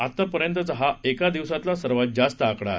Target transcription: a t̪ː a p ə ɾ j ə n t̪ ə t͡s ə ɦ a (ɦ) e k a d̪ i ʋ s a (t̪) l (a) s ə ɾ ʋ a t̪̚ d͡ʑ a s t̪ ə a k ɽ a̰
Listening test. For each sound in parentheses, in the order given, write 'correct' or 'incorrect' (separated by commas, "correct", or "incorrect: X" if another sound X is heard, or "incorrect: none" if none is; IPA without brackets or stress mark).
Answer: incorrect: none, correct, correct